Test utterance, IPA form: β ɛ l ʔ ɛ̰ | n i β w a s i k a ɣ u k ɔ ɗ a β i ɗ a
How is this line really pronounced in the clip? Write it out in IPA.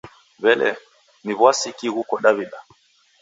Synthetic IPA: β ɛ l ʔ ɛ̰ | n i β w a s i k i ɣ u k ɔ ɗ a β i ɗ a

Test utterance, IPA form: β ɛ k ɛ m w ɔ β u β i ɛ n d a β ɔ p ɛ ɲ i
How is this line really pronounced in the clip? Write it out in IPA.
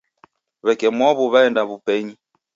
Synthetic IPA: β ɛ k ɛ m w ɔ β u β a ɛ n d a β u p ɛ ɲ i

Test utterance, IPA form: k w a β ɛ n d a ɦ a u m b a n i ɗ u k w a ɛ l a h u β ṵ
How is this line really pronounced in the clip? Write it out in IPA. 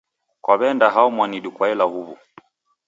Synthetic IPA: k w a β ɛ n d a ɦ a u m w a n i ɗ u k w a ɛ l a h u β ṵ

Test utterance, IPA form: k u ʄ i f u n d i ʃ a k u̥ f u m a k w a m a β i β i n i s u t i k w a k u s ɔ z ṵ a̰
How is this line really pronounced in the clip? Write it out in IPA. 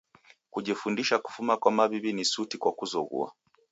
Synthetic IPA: k u ʄ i f u n d i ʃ a k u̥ f u m a k w a m a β i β i n i s u t i k w a k u z ɔ ɣ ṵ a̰

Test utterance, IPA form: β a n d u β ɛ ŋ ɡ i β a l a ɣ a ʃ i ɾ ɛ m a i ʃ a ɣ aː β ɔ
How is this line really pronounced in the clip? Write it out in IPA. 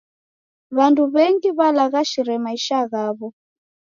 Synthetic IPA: β a n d u β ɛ ŋ ɡ i β a l a ɣ a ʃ i ɾ ɛ m a i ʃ a ɣ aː β ɔ

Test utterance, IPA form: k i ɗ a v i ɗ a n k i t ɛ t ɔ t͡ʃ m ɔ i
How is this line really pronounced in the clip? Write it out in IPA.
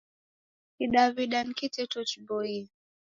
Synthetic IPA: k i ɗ a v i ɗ a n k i t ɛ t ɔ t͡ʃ b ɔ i

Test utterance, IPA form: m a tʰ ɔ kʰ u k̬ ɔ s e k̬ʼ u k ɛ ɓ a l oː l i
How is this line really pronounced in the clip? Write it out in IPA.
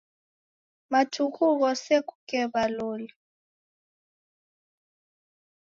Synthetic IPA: m a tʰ u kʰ u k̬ ɔ s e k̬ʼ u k ɛ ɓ a l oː l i

